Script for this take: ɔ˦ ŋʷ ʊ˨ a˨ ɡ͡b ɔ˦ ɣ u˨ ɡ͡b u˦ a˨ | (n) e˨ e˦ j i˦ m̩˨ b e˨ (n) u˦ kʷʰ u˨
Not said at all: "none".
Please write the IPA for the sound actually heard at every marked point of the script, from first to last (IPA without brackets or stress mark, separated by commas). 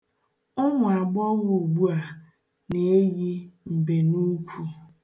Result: n, n